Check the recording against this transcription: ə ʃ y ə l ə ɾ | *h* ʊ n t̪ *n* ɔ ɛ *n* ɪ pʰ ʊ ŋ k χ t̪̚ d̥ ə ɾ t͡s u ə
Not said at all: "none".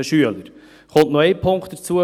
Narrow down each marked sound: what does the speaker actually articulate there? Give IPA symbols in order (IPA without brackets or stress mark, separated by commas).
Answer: χ, n, none